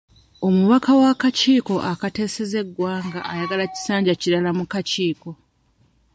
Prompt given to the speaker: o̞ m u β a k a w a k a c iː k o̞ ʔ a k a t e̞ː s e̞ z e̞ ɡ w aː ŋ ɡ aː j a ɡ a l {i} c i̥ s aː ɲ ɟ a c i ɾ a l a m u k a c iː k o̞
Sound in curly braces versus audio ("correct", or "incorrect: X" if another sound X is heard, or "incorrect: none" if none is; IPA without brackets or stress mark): incorrect: a